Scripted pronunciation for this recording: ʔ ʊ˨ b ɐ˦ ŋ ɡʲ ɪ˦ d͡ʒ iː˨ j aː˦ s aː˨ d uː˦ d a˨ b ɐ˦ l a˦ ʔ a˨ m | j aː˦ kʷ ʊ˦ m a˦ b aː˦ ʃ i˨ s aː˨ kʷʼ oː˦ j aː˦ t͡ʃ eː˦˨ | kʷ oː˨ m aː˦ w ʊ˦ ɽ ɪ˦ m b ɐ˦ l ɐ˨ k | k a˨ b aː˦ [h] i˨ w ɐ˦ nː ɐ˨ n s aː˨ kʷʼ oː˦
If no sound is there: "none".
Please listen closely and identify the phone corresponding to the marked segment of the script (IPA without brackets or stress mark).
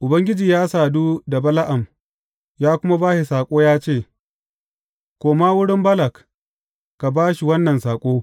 ʃ